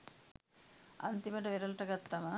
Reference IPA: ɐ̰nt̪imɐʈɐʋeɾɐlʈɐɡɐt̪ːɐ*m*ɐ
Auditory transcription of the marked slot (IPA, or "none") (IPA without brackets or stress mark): m